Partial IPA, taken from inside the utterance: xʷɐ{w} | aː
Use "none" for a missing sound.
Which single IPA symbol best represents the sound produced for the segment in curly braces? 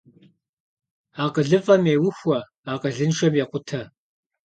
none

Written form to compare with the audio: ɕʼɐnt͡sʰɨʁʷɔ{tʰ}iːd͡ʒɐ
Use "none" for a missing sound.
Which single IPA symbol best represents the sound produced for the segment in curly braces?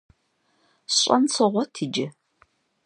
tʰ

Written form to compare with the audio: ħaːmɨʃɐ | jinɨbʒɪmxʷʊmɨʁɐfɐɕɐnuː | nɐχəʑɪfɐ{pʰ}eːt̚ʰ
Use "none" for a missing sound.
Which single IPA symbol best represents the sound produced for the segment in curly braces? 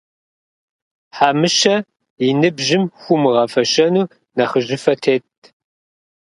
tʰ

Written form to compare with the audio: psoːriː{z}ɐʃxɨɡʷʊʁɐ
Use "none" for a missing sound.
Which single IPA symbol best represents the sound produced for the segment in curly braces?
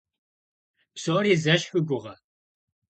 z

